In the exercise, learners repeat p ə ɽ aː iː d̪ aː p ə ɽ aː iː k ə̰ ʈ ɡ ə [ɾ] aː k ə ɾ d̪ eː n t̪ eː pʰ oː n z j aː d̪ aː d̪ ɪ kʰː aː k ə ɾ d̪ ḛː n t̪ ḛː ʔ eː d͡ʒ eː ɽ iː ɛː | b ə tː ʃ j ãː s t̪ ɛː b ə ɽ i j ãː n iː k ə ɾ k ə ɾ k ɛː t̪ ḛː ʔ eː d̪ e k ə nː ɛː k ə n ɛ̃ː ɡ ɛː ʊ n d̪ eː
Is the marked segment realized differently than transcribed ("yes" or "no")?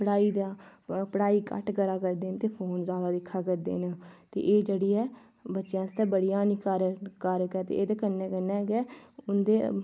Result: no